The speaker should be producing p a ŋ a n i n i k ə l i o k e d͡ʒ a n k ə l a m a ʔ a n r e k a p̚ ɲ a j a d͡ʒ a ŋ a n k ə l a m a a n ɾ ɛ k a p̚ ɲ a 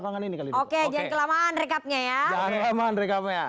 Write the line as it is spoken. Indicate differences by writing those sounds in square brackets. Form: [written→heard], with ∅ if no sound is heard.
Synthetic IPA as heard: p a ŋ a n i n i k [ə→a] l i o k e d͡ʒ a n k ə l a m a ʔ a n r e k a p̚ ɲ a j a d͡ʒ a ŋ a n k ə l a m a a n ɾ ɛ k a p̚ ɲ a